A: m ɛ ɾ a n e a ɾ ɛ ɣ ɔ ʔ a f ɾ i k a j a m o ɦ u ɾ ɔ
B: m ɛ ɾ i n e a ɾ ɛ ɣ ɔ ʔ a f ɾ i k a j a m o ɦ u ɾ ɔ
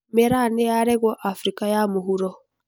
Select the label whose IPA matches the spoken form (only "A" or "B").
A